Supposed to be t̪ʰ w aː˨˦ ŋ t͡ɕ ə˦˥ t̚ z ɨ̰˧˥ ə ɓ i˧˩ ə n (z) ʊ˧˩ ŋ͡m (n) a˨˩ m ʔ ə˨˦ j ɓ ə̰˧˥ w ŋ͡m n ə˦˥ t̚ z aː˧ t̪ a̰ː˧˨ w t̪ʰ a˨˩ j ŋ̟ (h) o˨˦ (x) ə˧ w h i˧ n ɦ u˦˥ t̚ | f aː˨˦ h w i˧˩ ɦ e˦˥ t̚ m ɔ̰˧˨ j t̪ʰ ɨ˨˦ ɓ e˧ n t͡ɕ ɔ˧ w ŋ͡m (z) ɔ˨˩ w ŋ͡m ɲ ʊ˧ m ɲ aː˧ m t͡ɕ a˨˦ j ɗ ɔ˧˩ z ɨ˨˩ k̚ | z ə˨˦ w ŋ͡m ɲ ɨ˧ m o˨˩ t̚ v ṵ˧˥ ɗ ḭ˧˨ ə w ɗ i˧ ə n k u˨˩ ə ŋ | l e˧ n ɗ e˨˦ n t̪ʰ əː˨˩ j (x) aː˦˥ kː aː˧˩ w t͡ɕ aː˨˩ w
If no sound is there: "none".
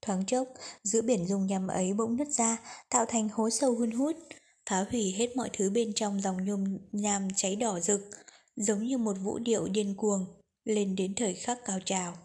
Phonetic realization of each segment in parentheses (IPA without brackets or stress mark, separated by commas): z, ɲ, h, s, z, x